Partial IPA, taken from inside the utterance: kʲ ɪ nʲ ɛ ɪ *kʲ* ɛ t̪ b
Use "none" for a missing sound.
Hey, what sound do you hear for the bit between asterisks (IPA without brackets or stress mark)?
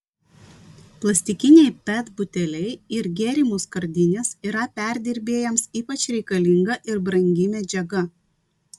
pʲ